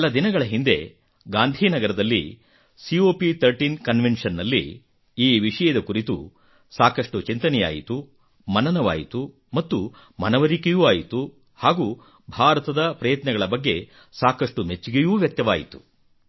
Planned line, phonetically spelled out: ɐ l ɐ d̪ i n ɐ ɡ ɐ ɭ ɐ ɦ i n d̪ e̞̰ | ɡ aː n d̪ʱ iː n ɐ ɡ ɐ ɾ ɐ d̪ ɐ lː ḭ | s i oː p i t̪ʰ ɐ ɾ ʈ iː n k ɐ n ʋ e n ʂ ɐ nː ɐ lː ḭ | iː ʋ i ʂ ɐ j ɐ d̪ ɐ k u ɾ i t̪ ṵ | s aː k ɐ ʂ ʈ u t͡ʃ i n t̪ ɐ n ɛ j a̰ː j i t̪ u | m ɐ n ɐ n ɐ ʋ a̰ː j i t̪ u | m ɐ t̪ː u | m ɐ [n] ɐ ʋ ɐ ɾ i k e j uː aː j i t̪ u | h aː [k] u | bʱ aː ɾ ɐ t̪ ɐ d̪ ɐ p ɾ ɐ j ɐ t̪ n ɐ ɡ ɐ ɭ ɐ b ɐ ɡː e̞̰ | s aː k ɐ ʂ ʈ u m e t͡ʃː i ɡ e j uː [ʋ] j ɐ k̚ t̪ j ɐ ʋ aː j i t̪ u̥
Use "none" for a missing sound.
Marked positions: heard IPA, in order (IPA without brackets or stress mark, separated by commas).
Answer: n, ɡ, ʋ